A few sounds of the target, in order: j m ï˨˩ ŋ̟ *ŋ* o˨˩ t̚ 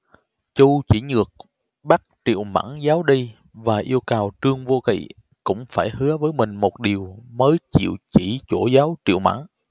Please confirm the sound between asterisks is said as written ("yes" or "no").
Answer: no